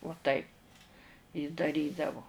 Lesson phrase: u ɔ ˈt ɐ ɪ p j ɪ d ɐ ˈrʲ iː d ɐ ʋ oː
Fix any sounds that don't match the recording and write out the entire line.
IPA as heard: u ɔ ˈt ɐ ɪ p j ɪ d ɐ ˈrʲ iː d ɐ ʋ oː